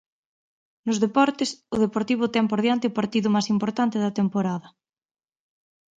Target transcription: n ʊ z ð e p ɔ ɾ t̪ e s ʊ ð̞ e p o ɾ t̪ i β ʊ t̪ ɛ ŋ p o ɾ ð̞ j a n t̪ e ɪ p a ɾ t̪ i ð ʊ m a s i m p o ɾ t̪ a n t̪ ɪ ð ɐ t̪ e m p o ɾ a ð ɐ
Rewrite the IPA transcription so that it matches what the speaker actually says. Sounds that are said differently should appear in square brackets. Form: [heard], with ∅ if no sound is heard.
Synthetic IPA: n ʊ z ð e p ɔ ɾ t̪ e s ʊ ð̞ e p o ɾ t̪ i β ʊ t̪ ɛ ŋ p o ɾ ð̞ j a n t̪ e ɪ p a ɾ t̪ i ð ʊ m a s i m p o ɾ t̪ a n t̪ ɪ ð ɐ t̪ e m p o ɾ a ð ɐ